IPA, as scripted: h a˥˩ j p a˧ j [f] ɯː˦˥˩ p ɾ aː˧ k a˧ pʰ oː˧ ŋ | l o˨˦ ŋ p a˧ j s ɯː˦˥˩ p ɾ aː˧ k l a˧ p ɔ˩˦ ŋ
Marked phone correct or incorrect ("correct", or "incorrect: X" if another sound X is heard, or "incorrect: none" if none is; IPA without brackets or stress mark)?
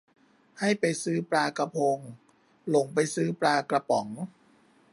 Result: incorrect: s